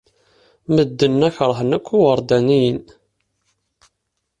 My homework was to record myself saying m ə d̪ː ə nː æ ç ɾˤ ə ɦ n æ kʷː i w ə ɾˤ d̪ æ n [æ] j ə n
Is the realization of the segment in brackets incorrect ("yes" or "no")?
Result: yes